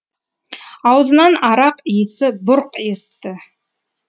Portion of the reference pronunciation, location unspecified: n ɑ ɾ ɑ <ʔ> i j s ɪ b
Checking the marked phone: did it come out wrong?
yes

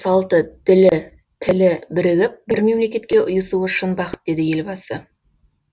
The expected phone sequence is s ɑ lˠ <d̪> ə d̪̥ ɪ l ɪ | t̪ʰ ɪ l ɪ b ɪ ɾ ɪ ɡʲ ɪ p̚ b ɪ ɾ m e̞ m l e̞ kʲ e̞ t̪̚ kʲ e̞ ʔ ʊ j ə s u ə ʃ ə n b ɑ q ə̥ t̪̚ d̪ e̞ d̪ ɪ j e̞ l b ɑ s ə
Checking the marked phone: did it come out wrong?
yes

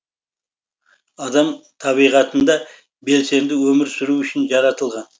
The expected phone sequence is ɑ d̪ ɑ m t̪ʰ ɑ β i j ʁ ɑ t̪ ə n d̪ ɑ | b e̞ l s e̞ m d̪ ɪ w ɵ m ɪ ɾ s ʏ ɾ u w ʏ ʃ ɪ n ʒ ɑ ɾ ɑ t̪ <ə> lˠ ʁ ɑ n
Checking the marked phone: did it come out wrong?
no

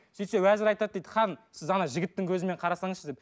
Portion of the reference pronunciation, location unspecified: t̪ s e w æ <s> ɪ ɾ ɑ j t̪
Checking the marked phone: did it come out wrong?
yes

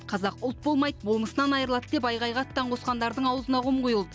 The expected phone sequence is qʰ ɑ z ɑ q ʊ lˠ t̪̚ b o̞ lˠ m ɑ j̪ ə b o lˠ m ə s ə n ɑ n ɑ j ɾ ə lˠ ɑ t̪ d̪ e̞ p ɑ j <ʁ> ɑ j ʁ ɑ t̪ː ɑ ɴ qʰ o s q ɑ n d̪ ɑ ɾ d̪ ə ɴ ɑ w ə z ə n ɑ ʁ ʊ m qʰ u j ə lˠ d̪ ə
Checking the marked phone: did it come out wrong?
no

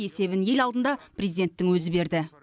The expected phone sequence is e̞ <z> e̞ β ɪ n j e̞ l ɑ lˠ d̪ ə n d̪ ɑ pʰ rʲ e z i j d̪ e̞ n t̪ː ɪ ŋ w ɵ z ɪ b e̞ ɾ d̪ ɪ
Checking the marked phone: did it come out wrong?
yes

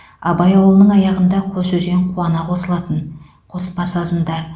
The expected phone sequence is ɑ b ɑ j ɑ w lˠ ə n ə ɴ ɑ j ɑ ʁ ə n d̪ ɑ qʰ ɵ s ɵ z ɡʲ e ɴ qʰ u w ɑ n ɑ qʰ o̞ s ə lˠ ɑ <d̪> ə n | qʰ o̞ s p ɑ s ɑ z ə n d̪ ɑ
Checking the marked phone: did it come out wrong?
yes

